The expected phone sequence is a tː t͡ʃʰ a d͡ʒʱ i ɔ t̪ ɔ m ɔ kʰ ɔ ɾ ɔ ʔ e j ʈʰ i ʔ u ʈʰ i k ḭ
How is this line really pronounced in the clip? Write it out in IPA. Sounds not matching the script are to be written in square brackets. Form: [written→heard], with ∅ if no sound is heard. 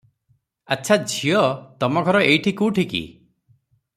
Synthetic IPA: a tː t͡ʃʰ a d͡ʒʱ i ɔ t̪ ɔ m ɔ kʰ ɔ ɾ ɔ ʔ e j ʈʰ i [ʔ→k] u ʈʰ i k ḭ